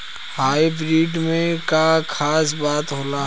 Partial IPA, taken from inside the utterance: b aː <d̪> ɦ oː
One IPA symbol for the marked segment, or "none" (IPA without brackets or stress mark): t̪